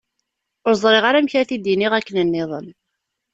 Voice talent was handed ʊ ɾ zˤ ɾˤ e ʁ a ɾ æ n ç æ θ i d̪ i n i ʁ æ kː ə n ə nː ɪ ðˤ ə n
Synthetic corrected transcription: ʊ ɾ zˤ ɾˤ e ʁ a ɾ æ m ç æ θ i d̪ i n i ʁ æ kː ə n ə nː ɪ ðˤ ə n